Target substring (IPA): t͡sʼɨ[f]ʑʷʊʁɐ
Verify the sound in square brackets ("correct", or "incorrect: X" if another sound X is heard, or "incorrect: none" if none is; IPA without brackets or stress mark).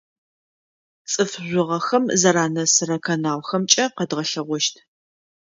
correct